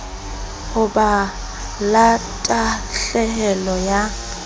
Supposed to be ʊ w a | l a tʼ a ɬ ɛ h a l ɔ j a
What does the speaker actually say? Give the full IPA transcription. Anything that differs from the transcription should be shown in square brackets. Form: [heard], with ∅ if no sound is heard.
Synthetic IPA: ʊ [b] a | l a tʼ a ɬ ɛ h [ɛ] l ɔ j a